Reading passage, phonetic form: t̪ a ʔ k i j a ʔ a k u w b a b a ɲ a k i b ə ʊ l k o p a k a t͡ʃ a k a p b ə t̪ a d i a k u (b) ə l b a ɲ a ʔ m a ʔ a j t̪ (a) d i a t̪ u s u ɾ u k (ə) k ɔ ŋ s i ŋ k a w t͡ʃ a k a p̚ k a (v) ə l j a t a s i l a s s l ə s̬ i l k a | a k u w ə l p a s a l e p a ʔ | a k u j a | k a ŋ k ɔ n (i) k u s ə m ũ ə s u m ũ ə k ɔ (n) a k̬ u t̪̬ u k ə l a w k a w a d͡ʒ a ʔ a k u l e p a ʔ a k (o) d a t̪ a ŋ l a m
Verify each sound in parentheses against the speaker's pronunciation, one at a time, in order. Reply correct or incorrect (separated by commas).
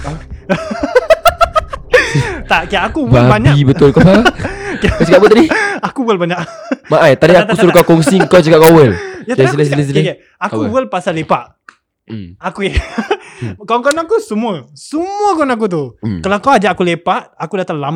incorrect, correct, incorrect, incorrect, incorrect, correct, incorrect